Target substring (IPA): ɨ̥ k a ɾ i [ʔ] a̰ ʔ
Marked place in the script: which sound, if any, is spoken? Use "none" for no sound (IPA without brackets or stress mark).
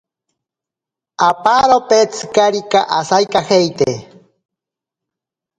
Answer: k